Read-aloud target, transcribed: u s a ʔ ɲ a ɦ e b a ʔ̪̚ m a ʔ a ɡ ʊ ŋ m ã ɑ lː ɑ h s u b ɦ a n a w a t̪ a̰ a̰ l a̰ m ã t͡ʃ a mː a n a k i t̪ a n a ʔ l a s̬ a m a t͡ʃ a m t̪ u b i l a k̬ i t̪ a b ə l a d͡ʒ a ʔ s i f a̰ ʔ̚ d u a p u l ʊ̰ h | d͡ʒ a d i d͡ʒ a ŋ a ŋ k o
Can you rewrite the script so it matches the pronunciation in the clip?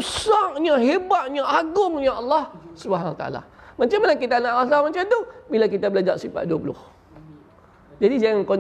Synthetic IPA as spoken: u s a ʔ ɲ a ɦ e b a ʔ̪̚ ɲ a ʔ a ɡ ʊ ŋ ɲ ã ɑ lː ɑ h s u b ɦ a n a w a t̪ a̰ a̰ l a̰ m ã t͡ʃ a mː a n a k i t̪ a n a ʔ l a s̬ a m a t͡ʃ a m t̪ u b i l a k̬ i t̪ a b ə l a d͡ʒ a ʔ s i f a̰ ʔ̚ d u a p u l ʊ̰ h | d͡ʒ a d i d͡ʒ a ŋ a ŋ k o